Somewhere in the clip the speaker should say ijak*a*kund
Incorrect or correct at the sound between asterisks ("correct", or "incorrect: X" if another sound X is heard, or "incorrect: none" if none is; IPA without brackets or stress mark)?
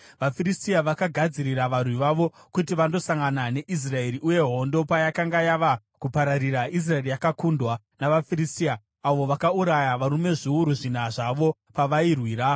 correct